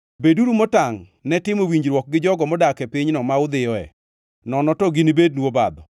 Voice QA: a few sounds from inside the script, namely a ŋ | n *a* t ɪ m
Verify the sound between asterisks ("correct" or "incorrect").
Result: incorrect